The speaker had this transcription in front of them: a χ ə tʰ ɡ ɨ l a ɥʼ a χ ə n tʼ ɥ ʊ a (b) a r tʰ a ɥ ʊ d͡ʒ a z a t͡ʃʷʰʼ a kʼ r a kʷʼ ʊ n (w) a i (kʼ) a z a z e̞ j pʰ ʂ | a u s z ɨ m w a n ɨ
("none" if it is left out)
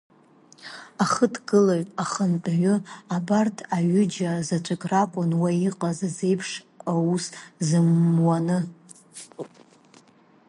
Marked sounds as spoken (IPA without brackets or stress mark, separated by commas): b, w, qʼ